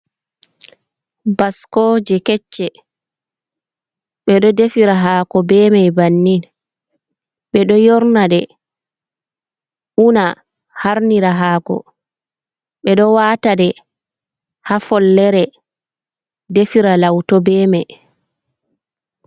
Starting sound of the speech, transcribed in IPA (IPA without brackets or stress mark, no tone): b